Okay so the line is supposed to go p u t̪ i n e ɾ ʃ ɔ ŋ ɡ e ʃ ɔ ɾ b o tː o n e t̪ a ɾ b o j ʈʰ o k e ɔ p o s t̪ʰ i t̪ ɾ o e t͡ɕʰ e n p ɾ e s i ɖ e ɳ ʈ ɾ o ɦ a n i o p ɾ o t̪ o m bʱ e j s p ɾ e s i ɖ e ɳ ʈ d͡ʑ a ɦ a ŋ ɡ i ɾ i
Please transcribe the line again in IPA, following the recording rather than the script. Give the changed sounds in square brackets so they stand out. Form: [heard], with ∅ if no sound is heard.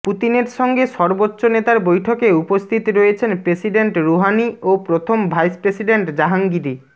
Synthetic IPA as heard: p u t̪ i n e ɾ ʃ ɔ ŋ ɡ e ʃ ɔ ɾ b o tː o n e t̪ a ɾ b o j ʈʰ o k e [u] p o s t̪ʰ i t̪ ɾ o e t͡ɕʰ e n p ɾ e s i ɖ e ɳ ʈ ɾ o ɦ a n i o p ɾ o [t̪ʰ] o m bʱ [a] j s p ɾ e s i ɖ e ɳ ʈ d͡ʑ a ɦ a ŋ ɡ i ɾ i